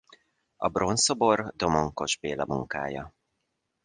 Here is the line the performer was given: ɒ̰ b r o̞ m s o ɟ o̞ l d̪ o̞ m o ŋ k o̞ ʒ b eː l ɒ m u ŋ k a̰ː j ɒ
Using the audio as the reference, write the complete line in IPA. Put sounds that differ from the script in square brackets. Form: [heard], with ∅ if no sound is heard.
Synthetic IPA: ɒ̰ b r o̞ [n] s o [b] o̞ [r] d̪ o̞ m o ŋ k o̞ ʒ b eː l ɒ m u ŋ k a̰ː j ɒ